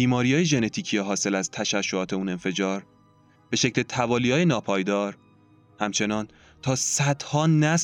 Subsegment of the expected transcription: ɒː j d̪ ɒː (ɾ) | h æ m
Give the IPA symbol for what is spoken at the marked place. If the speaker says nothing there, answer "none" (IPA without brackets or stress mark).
ɾ